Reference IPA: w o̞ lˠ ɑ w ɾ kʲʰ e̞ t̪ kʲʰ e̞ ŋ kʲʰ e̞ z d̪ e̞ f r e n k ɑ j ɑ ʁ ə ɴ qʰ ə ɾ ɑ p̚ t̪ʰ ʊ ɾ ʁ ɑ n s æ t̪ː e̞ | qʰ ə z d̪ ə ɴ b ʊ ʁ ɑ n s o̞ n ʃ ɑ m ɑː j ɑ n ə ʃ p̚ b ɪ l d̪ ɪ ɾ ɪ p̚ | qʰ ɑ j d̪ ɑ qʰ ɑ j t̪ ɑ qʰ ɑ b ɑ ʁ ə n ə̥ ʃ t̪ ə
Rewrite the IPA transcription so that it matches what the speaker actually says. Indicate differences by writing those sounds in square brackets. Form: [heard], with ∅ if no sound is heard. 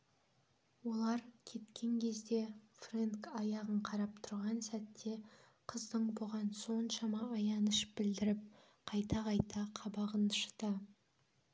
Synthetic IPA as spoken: w o̞ lˠ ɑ [∅] ɾ kʲʰ e̞ t̪ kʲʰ e̞ ŋ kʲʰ e̞ z d̪ e̞ f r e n k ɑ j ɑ ʁ ə ɴ qʰ [ɑ] ɾ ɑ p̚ t̪ʰ ʊ ɾ ʁ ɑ n s æ t̪ː e̞ | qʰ ə z d̪ ə ɴ b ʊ ʁ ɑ n s o̞ n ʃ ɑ m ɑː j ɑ n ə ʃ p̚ b ɪ l d̪ ɪ ɾ ɪ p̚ | qʰ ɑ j [t̪] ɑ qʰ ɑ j t̪ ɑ qʰ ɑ b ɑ ʁ ə n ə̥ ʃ t̪ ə